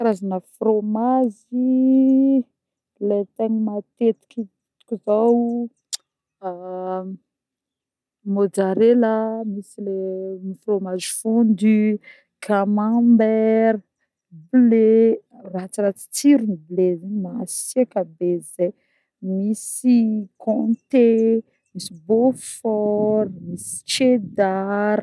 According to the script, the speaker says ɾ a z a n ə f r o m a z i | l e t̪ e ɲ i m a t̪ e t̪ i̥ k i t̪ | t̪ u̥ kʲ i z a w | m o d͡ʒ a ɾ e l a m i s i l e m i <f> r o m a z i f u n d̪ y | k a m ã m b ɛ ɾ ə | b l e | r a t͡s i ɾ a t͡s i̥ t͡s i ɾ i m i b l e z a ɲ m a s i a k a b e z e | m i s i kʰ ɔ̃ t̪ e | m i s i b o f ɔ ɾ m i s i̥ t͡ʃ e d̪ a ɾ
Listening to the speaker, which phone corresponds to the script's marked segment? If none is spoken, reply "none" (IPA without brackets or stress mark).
f